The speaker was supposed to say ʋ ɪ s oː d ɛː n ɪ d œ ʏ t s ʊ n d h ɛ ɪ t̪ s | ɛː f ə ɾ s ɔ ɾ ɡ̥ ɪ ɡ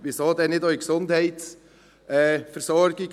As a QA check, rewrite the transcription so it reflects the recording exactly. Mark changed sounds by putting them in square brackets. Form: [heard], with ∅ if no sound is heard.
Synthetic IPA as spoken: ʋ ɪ s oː d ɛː n ɪ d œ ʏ [k] s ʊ n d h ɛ ɪ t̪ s | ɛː f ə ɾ s ɔ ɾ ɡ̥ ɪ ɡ